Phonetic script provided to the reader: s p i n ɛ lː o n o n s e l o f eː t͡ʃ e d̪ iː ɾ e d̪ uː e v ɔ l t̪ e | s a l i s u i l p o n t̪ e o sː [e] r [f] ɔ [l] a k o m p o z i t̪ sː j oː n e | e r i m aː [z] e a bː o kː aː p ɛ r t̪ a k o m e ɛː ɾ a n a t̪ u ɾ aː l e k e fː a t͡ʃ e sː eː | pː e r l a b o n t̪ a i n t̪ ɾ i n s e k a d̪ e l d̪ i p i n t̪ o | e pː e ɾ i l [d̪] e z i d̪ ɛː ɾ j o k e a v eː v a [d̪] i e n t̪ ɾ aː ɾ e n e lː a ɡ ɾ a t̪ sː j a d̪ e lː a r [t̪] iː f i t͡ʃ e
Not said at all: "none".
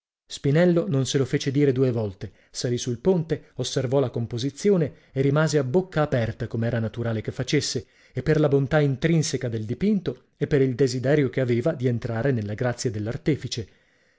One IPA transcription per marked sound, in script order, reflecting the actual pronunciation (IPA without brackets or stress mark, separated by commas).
e, v, l, z, d̪, d̪, t̪